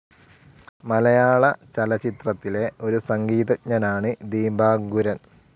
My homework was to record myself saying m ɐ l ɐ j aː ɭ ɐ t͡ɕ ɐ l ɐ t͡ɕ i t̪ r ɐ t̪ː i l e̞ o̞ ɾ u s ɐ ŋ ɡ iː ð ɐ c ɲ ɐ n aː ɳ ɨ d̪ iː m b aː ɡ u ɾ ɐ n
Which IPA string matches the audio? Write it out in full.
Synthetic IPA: m ɐ l ɐ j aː ɭ ɐ t͡ɕ ɐ l ɐ t͡ɕ i t̪ r ɐ t̪ː i l e̞ o̞ ɾ u s ɐ ŋ ɡ iː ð ɐ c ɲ ɐ n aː ɳ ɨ d̪ iː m b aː ɡ u ɾ ɐ n